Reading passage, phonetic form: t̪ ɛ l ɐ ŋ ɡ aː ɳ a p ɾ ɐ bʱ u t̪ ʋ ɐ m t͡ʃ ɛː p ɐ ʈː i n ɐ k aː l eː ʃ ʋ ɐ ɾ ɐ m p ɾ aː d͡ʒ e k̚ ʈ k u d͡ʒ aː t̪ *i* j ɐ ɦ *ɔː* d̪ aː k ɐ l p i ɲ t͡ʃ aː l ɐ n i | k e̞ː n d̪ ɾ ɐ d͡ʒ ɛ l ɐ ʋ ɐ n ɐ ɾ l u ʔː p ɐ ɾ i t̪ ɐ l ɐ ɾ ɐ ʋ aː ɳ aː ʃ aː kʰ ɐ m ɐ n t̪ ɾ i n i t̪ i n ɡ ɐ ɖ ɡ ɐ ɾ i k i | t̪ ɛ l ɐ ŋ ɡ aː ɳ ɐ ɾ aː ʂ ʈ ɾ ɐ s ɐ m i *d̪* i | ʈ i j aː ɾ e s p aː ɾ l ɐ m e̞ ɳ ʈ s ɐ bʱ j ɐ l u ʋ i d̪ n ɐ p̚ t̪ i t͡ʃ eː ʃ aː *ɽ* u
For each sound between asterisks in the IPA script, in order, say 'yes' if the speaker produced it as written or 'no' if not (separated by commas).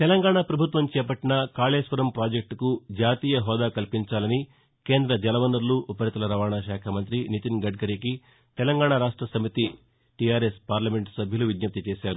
no, yes, no, no